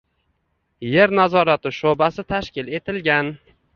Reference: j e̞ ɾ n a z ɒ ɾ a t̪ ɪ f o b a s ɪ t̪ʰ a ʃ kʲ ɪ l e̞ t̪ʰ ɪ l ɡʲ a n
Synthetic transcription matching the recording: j e̞ ɾ n a z ɒ ɾ a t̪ ɪ ʃ o b a s ɪ t̪ʰ a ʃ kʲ ɪ l e̞ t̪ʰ ɪ l ɡʲ a n

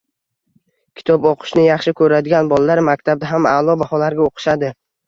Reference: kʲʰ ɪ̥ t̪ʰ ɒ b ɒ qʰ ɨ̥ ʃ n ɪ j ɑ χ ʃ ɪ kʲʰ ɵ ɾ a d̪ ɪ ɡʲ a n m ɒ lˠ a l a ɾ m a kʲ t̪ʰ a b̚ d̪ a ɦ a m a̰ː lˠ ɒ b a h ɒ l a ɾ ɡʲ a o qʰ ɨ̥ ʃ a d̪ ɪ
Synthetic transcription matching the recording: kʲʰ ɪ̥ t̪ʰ ɒ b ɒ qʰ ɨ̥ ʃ n ɪ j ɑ χ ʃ ɪ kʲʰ ɵ ɾ a d̪ ɪ ɡʲ a n b ɒ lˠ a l a ɾ m a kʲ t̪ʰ a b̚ d̪ a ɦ a m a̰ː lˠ ɒ b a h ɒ l a ɾ ɡʲ a o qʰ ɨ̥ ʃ a d̪ ɪ

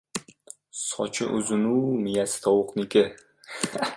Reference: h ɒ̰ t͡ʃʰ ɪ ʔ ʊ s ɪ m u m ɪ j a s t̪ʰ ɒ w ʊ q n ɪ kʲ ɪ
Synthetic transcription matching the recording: s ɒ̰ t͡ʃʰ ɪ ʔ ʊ z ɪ n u m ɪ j a s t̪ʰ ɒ w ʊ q n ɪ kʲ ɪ

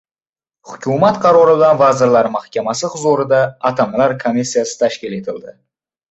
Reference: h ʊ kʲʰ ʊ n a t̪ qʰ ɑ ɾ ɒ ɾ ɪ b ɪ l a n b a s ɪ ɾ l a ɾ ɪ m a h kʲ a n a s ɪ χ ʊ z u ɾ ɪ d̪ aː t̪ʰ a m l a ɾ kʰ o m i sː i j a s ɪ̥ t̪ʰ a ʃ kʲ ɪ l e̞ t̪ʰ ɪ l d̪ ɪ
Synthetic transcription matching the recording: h ʊ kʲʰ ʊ m a t̪ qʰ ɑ ɾ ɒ ɾ ɪ b ɪ l a n v a z ɪ ɾ l a ɾ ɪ m a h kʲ a m a s ɪ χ ʊ z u ɾ ɪ d̪ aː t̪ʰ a m l a ɾ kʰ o m i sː i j a s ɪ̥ t̪ʰ a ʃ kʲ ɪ l e̞ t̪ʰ ɪ l d̪ ɪ

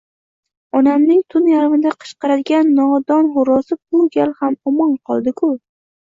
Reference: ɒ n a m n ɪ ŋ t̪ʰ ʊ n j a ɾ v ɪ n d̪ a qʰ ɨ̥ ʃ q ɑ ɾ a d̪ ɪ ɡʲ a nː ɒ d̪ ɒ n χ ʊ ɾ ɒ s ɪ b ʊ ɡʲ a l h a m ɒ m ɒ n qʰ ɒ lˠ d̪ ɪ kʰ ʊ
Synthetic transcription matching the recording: ɒ n a m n ɪ ŋ t̪ʰ ʊ n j a ɾ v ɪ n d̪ a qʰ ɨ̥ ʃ q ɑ ɾ a d̪ ɪ ɡʲ a nː ɒ d̪ ɒ n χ ʊ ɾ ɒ s ɪ b ʊ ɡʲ a l h a m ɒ m ɒ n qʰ ɒ lˠ d̪ ɪ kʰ ʊ

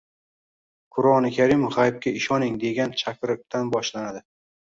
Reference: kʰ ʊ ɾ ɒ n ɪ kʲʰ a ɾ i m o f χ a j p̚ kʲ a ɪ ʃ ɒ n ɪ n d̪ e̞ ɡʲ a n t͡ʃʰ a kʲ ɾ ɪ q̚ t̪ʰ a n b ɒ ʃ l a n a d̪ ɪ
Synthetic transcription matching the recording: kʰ ʊ ɾ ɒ n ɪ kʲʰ a ɾ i m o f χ a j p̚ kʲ a ɪ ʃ ɒ n ɪ ŋ d̪ e̞ ɡʲ a n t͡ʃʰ a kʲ ɾ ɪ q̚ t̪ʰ a n b ɒ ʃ l a n a d̪ ɪ

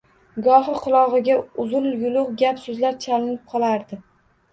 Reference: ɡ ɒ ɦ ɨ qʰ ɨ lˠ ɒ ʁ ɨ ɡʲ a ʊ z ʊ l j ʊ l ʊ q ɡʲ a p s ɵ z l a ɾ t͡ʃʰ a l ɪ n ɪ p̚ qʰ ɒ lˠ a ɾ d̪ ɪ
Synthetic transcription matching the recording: ɡ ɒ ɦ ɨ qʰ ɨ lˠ ɒ ʁ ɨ ɡʲ a ʊ z ʊ l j ʊ l ʊ q ɡʲ a p s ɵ z l a ɾ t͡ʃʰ a l ɪ n ɪ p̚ qʰ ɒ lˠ a ɾ d̪ ɪ

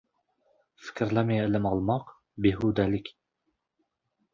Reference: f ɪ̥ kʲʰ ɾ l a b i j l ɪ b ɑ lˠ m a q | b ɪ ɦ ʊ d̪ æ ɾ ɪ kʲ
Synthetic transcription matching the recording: f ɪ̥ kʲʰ ɾ l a m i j l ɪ m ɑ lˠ m ɑ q | b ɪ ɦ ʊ d̪ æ l ɪ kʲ

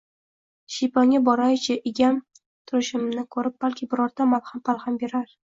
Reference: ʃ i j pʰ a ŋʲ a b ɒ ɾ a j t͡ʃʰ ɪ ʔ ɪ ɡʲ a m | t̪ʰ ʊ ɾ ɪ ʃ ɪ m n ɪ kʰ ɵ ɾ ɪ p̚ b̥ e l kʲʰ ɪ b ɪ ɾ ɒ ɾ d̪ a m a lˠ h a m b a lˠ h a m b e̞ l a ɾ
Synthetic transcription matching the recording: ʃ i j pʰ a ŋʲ a b ɒ ɾ a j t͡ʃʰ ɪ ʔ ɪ ɡʲ a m | t̪ʰ ʊ ɾ ɪ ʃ ɪ m n ɪ kʰ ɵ ɾ ɪ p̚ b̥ a l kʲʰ ɪ b ɪ ɾ ɒ ɾ d̪ a m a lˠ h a m p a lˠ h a m b e̞ ɾ a ɾ

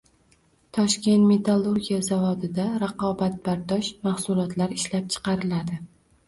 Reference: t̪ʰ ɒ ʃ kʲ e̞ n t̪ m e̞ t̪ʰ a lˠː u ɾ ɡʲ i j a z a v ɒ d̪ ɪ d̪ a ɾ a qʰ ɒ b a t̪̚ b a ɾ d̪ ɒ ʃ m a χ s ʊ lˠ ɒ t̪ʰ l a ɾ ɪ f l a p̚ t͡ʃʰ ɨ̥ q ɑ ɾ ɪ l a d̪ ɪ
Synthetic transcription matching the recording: t̪ʰ ɒ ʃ kʲ e̞ n t̪ m e̞ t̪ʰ a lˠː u ɾ ɡʲ i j a z a v ɒ d̪ ɪ d̪ a ɾ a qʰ ɒ b a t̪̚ b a ɾ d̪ ɒ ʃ m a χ s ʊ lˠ ɒ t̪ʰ l a ɾ ɪ ʃ l a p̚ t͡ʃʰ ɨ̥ q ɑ ɾ ɪ l a d̪ ɪ

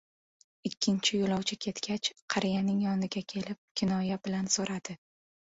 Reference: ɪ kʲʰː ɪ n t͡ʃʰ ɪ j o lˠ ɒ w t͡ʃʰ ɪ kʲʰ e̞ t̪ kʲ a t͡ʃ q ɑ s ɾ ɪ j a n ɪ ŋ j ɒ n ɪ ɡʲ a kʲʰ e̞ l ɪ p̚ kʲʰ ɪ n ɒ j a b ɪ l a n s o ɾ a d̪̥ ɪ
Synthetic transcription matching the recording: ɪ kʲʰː ɪ n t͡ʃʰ ɪ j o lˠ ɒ w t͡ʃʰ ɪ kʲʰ e̞ t̪ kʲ a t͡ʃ qʰ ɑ ɾ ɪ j a n ɪ ŋ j ɒ n ɪ ɡʲ a kʲʰ e̞ l ɪ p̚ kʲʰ ɪ n ɒ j a b ɪ l a n s o ɾ a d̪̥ ɪ

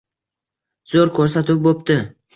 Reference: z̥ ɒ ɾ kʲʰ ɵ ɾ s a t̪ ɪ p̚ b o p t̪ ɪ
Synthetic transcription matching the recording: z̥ o ɾ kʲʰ ɵ ɾ s a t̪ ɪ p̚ b o p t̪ ɪ

